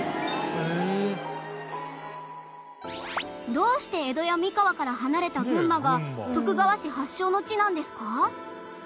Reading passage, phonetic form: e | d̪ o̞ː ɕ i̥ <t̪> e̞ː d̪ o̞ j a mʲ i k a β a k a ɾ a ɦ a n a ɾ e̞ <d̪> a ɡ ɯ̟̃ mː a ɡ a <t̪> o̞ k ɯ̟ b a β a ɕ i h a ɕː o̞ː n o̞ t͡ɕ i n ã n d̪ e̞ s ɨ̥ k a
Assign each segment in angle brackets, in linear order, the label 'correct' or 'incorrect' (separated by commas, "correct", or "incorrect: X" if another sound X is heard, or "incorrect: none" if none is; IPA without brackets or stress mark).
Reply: correct, incorrect: t̪, correct